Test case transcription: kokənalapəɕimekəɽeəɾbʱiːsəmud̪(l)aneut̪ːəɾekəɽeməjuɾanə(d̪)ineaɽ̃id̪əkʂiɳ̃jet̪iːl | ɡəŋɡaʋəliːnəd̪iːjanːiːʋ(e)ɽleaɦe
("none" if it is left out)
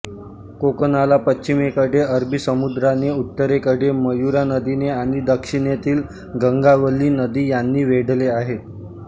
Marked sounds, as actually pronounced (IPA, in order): ɾ, d̪, e

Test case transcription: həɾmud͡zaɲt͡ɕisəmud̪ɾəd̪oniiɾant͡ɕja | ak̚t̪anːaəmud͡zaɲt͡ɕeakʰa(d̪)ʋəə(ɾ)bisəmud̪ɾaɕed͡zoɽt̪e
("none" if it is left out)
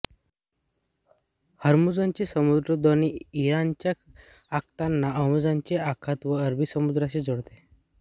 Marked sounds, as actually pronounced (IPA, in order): t̪, ɾ

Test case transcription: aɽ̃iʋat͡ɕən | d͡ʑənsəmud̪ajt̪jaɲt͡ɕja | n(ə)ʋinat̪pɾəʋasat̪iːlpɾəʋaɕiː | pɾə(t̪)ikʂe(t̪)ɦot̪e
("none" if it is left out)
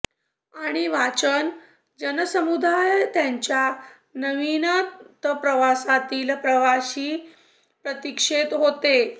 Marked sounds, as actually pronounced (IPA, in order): ə, t̪, t̪

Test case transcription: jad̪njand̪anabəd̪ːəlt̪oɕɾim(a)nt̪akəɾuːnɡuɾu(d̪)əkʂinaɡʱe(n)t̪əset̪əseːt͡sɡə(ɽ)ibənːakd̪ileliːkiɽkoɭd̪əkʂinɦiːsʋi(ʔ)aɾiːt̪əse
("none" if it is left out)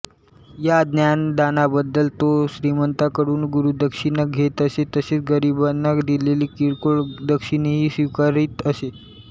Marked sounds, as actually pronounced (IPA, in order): ə, d̪, none, ɾ, k

